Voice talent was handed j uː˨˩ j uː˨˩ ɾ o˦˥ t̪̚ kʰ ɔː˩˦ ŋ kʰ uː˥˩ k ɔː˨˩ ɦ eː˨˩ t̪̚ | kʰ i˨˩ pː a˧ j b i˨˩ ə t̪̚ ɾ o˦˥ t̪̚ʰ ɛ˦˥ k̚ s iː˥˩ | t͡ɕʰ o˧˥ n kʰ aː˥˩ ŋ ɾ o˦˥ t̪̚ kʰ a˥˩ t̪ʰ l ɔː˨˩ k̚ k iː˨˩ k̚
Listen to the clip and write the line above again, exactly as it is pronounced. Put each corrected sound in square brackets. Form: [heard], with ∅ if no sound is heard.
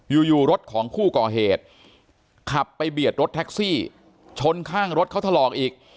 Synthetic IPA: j uː˨˩ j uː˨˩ ɾ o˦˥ t̪̚ kʰ ɔː˩˦ ŋ kʰ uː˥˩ k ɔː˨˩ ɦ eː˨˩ t̪̚ | kʰ [a˨˩] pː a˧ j b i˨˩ ə t̪̚ ɾ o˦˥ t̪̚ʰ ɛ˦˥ k̚ s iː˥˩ | t͡ɕʰ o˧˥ n kʰ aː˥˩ ŋ ɾ o˦˥ t̪̚ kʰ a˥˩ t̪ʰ l ɔː˨˩ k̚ [ʔ] iː˨˩ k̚